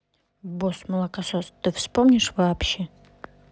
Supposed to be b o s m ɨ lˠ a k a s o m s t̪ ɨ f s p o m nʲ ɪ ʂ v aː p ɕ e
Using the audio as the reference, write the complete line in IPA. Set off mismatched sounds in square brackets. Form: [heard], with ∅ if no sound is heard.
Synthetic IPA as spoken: b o s m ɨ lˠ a k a s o [∅] s t̪ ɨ f s p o m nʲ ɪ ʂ v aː p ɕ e